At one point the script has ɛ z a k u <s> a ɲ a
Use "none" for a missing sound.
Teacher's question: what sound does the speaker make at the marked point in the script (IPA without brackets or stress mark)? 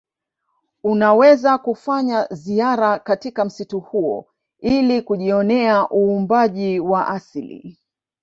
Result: f